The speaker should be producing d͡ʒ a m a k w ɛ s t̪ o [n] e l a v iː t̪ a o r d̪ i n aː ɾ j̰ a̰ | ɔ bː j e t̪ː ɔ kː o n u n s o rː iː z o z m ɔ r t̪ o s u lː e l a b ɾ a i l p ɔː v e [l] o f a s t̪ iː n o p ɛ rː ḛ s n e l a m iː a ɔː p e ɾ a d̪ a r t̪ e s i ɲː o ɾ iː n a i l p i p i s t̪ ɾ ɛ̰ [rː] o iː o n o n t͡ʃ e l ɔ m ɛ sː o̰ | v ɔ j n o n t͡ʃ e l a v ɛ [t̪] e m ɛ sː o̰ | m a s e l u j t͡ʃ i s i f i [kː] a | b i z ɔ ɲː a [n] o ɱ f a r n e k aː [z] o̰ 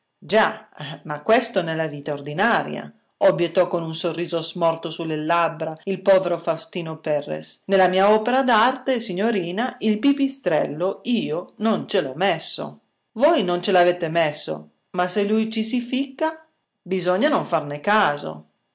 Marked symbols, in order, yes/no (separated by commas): yes, no, no, yes, yes, yes, yes